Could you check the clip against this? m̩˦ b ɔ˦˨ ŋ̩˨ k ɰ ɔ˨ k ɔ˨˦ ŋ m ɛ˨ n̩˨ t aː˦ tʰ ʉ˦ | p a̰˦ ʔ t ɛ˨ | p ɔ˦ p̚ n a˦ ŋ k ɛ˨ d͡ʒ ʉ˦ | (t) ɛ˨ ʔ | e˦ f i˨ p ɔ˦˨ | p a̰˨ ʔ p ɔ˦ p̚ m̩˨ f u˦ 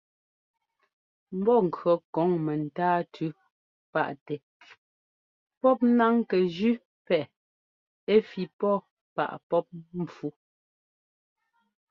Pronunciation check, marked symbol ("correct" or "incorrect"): incorrect